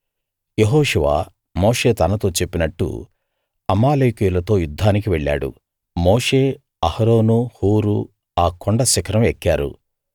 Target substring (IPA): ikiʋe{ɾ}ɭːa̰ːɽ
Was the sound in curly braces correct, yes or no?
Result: no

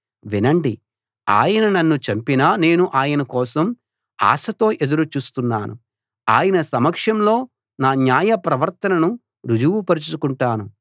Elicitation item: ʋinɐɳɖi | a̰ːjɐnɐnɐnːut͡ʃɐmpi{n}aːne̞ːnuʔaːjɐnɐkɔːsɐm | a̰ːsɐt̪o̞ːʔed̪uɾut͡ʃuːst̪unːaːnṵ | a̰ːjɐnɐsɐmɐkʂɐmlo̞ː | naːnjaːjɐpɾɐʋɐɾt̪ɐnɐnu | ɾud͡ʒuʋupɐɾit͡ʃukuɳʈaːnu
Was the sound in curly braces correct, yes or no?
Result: yes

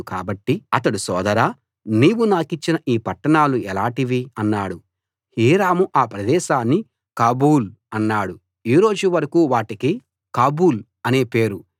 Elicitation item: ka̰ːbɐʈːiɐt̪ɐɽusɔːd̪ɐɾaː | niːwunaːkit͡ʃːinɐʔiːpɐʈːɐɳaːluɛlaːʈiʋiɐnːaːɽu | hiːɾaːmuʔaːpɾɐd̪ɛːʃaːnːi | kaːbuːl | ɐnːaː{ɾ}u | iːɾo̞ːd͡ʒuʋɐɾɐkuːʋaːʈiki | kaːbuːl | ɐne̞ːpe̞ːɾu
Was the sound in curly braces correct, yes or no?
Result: no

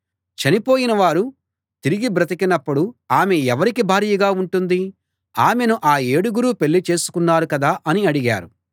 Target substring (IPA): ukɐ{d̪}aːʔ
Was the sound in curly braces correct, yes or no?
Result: yes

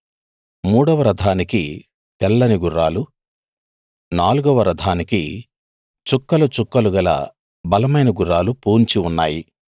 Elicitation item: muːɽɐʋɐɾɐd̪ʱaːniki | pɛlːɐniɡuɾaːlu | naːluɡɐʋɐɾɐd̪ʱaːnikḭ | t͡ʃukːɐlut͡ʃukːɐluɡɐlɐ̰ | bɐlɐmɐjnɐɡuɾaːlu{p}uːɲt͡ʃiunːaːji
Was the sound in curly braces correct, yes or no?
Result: yes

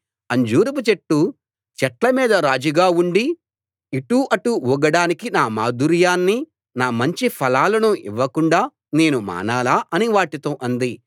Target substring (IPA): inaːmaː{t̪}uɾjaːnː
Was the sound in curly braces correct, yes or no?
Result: no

